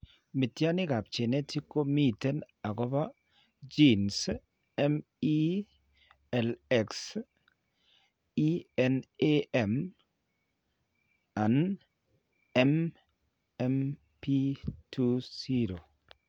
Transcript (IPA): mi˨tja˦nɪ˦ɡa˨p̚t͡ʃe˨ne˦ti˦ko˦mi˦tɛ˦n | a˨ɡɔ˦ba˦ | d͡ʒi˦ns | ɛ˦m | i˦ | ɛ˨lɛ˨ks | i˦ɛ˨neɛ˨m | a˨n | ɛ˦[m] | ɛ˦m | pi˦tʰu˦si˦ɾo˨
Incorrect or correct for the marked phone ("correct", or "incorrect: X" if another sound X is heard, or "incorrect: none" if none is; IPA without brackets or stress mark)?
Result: correct